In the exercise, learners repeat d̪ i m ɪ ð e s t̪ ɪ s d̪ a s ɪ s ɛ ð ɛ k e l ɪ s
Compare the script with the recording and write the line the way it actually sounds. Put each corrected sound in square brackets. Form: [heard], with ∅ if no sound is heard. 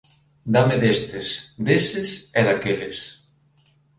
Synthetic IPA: d̪ [a] m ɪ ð e s t̪ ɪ s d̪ [e] s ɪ s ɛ ð [a] k e l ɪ s

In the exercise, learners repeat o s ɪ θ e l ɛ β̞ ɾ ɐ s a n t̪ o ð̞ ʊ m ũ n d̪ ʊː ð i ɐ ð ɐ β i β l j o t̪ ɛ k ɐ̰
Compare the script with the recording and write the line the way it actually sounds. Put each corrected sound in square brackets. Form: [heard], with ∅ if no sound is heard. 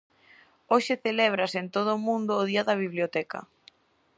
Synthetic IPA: o [ʃ] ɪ θ e l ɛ β̞ ɾ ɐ s [e] n t̪ o ð̞ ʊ m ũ n d̪ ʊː ð i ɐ ð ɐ β i β l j o t̪ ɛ k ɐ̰

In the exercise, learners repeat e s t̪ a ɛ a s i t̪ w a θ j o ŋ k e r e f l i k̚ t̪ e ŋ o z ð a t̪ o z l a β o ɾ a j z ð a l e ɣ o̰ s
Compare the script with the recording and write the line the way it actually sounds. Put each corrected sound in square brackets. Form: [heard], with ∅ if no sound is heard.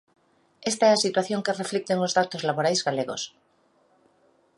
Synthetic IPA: e s t̪ a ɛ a s i t̪ w a θ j o ŋ k e r e f l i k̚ t̪ e ŋ o z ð a t̪ o z l a β o ɾ a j z [ɣ] a l e ɣ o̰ s

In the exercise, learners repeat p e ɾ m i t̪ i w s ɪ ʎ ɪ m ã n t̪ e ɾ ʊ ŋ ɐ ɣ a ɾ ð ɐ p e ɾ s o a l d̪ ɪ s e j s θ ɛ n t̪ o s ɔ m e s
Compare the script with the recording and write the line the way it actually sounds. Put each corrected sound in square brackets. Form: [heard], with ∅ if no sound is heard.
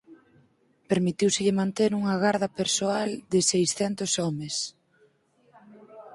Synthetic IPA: p e ɾ m i t̪ i w s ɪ ʎ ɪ m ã n t̪ e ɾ [u] ŋ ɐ ɣ a ɾ ð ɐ p e ɾ s o a l d̪ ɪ s e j s θ ɛ n t̪ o s ɔ m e s

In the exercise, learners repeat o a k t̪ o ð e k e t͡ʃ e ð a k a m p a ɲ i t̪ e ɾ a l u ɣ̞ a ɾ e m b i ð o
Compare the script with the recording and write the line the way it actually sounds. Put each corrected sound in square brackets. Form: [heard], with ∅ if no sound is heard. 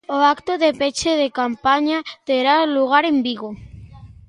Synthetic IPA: o a k t̪ o ð e [p] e t͡ʃ e ð [e] k a m p a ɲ [a] t̪ e ɾ a l u ɣ̞ a ɾ e m b i [ɣ] o

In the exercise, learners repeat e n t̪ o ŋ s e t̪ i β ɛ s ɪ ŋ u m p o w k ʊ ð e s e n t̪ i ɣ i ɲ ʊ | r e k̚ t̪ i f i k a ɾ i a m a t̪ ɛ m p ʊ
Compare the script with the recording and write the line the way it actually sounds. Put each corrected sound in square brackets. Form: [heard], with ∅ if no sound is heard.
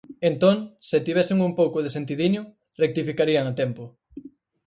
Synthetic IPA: e n t̪ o ŋ s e t̪ i β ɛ s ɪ ŋ u m p o w k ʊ ð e s e n t̪ i [ð] i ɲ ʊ | r e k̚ t̪ i f i k a ɾ i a [ŋ] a t̪ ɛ m p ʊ

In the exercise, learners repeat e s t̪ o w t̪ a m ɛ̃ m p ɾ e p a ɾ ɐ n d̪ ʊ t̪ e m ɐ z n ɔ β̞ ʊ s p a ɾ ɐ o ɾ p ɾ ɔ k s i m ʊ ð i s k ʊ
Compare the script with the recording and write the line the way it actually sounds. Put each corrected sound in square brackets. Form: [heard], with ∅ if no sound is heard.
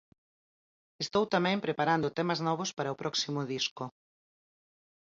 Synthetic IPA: e s t̪ o w t̪ a m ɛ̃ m p ɾ e p a ɾ [a] n d̪ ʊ t̪ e m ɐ z n ɔ β̞ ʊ s p a ɾ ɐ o [∅] p ɾ ɔ k s i m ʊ ð i s k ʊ

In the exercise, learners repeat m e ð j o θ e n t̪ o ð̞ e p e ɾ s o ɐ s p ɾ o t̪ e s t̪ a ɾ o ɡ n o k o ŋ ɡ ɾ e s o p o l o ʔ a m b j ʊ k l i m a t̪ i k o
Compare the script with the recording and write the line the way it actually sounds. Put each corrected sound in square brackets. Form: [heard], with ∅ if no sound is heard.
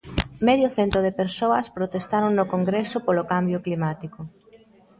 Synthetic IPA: m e ð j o θ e n t̪ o ð̞ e p e ɾ s o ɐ s p ɾ o t̪ e s t̪ a ɾ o [ŋ] n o k o ŋ ɡ ɾ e s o p o l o [k] a m b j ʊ k l i m a t̪ i k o

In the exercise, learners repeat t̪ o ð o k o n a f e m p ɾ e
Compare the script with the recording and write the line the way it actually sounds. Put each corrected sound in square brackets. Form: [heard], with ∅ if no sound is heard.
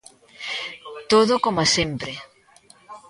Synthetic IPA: t̪ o ð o k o [m] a [s] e m p ɾ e

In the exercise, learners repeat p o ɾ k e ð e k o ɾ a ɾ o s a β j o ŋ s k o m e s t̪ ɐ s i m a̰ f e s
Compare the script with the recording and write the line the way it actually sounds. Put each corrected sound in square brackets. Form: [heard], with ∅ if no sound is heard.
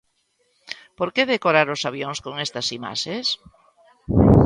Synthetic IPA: p o ɾ k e ð e k o ɾ a ɾ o s a β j o ŋ s k o [ŋ] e s t̪ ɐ s i m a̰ [ʃ] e s

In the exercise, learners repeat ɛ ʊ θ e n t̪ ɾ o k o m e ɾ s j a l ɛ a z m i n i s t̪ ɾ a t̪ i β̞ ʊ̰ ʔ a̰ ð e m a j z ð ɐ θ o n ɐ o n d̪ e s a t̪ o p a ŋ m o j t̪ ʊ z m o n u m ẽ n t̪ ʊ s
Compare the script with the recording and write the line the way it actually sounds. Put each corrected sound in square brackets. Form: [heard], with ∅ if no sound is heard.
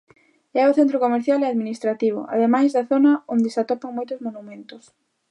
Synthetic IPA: ɛ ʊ θ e n t̪ ɾ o k o m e ɾ [θ] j a l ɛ a [ð] m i n i s t̪ ɾ a t̪ i β̞ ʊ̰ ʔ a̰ ð e m a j z ð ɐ θ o n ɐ o n d̪ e s a t̪ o p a ŋ m o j t̪ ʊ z m o n u m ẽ n t̪ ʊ s

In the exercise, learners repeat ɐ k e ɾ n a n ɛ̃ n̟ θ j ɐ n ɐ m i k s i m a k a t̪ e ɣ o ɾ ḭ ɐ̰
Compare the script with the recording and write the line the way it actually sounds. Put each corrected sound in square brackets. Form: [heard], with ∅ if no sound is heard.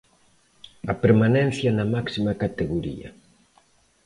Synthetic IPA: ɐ [p] e ɾ [m] a n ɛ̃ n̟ θ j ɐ n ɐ m [a] k s i m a k a t̪ e ɣ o ɾ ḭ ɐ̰

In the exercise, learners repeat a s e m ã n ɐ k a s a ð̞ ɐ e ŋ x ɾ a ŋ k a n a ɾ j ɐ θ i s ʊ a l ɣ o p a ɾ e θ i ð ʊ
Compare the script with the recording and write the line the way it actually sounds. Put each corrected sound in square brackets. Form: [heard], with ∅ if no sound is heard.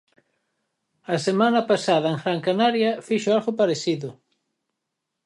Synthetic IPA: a s e m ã n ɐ [p] a s a ð̞ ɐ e ŋ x ɾ a ŋ k a n a ɾ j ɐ [f] i [ʃ] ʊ a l ɣ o p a ɾ e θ i ð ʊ

